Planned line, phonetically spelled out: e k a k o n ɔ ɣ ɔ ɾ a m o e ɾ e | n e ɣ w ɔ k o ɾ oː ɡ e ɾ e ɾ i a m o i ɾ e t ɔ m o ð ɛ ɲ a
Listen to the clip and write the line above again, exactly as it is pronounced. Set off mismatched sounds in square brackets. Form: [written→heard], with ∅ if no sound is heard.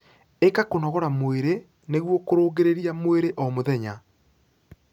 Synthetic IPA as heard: e k a k o n ɔ ɣ ɔ ɾ a m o e ɾ e | n e ɣ w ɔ k o ɾ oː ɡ e ɾ e ɾ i a m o [i→e] ɾ e [t→ʔ] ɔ m o ð ɛ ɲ a